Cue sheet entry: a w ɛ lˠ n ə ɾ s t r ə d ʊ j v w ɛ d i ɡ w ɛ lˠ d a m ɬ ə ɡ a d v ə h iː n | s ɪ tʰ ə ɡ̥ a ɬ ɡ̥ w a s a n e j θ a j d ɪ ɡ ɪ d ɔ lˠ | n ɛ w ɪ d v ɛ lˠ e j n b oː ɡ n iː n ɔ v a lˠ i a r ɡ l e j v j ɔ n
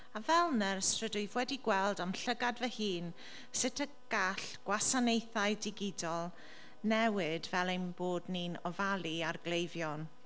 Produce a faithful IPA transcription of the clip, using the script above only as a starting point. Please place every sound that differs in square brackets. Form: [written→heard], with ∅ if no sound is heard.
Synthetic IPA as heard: a [w→v] ɛ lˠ n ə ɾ s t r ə d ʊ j v w ɛ d i ɡ w ɛ lˠ d a m ɬ ə ɡ a d v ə h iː n | s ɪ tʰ ə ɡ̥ a ɬ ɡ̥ w a s a n e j θ a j d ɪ ɡ ɪ d ɔ lˠ | n ɛ w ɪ d v ɛ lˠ e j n b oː [ɡ→d] n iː n ɔ v a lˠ i a r ɡ l e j v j ɔ n